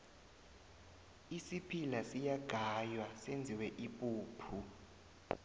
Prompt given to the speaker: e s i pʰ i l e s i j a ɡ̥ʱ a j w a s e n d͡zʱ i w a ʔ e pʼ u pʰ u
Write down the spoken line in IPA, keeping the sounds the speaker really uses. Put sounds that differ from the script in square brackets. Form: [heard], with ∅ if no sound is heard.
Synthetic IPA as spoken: [i] s i pʰ i l [a] s i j a ɡ̥ʱ a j w a s e n d͡zʱ i w [ɛ] ʔ [i] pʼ [uː] pʰ u

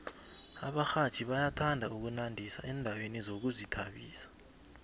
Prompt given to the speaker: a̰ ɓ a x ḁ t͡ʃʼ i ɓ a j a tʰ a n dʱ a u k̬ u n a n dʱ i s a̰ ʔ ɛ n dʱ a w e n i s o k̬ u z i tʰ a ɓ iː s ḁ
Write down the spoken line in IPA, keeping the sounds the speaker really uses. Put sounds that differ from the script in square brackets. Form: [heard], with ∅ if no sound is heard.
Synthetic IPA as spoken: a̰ ɓ a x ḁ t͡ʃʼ i ɓ a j a tʰ a n dʱ a u k̬ u n a n dʱ i s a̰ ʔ ɛ n dʱ a w e n i [z] o k̬ u z i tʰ a ɓ iː s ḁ

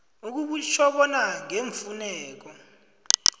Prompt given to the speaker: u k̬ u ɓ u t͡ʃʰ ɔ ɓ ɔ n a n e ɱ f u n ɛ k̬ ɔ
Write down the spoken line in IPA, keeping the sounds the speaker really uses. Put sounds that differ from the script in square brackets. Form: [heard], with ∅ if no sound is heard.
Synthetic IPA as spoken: u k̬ u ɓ u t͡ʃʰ ɔ ɓ ɔ n a [ŋ] e ɱ f u n [ɛː] k̬ ɔ

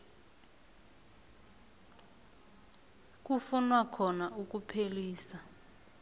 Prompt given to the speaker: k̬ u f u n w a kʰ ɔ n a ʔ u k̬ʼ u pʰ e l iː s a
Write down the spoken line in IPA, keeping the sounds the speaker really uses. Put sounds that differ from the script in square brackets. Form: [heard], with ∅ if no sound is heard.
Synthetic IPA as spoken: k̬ u f u n w a kʰ ɔ n a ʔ u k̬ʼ u pʰ e l iː s a

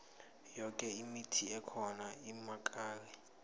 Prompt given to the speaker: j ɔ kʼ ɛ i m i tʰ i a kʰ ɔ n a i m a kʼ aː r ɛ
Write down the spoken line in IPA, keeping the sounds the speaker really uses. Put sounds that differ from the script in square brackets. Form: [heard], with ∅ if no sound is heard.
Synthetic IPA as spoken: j ɔ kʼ ɛ i m i tʰ i [ɛ] kʰ ɔ n a i m a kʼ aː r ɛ

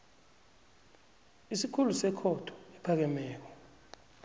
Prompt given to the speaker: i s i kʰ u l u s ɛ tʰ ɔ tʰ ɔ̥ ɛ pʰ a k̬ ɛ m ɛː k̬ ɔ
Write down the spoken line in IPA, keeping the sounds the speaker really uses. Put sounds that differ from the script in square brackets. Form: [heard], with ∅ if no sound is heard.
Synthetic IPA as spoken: i s i kʰ u l u s ɛ [kʰ] ɔ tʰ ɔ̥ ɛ pʰ a k̬ ɛ m ɛː k̬ ɔ

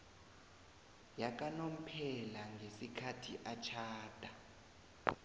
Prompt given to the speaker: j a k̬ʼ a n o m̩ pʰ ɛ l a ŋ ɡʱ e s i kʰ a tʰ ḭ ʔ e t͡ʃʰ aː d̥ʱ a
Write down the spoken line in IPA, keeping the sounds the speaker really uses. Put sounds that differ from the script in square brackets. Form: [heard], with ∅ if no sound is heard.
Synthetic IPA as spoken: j a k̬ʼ a n o m̩ pʰ ɛ l a ŋ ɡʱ e s i kʰ a tʰ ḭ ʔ [a] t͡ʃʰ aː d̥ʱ a

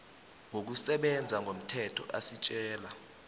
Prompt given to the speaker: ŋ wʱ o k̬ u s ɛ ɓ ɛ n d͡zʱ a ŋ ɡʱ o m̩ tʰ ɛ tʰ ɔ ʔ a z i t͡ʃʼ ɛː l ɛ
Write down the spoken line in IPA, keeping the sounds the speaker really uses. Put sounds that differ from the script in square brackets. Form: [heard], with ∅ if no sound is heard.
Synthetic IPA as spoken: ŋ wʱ o k̬ u s ɛ ɓ ɛ n d͡zʱ a ŋ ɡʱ o m̩ tʰ ɛ tʰ ɔ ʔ a [s] i t͡ʃʼ ɛː l [a]

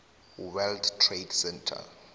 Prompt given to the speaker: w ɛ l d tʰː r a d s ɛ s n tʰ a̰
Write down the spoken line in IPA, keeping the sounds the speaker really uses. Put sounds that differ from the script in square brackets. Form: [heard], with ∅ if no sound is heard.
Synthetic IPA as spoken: w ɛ l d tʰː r [e] d s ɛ [∅] n tʰ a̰

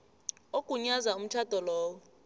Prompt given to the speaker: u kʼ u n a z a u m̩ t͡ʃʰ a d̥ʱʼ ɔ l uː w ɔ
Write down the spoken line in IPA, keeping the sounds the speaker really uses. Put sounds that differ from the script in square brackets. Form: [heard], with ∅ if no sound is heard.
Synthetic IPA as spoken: [o] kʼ u [ɲ] a z a u m̩ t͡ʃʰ a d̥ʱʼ ɔ l [ɔː] w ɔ

